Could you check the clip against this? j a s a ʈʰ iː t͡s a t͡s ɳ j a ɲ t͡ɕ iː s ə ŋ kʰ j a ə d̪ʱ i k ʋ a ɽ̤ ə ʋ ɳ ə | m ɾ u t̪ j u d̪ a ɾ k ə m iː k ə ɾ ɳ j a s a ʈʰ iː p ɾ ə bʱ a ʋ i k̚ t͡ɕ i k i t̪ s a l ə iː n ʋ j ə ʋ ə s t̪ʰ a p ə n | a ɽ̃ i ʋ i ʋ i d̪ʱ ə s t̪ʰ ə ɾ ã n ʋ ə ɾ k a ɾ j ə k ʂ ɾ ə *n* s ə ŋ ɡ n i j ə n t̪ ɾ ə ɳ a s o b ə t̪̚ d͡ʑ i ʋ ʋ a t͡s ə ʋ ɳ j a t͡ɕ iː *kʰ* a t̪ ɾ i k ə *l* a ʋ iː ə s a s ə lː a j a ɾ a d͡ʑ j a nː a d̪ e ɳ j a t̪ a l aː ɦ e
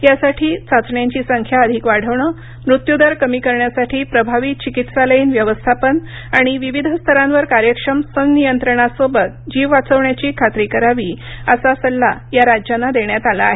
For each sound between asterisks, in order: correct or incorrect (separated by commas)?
incorrect, correct, incorrect